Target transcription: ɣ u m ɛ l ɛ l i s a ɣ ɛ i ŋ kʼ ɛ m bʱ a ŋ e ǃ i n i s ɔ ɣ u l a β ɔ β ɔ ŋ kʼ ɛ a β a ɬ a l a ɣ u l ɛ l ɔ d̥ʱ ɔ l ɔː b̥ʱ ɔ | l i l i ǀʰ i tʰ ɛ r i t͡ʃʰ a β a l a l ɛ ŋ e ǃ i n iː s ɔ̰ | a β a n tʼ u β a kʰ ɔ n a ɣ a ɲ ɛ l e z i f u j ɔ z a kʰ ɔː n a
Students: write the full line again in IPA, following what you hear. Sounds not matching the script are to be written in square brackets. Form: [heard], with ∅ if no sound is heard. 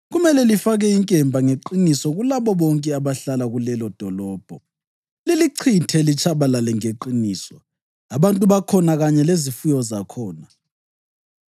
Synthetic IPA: ɣ u m ɛ l ɛ l i [f] a ɣ ɛ i ŋ kʼ ɛ m bʱ a ŋ e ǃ i n i s ɔ ɣ u l a β ɔ β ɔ ŋ kʼ ɛ a β a ɬ a l a ɣ u l ɛ l ɔ d̥ʱ ɔ l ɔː b̥ʱ ɔ | l i l i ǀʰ i tʰ ɛ [l] i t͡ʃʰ a β a l a l ɛ ŋ e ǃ i n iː s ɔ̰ | a β a n tʼ u β a kʰ ɔ n a ɣ a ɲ ɛ l e z i f u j ɔ z a kʰ ɔː n a